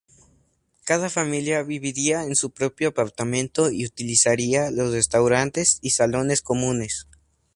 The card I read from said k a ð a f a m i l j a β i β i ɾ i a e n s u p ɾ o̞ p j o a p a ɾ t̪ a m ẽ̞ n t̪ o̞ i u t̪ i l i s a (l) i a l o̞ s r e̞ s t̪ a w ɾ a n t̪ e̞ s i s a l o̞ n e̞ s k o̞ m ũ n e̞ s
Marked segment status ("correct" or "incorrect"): incorrect